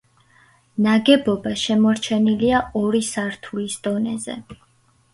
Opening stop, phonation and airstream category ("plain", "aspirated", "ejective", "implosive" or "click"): plain